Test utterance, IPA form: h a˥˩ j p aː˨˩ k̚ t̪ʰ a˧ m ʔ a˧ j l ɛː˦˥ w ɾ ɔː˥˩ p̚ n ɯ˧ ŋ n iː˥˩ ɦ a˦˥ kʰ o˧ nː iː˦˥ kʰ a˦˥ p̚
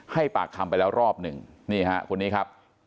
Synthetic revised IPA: h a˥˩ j p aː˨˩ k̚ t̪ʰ a˧ m p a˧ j l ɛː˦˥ w ɾ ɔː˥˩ p̚ n ɯ˨˩ ŋ n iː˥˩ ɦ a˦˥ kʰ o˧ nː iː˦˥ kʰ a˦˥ p̚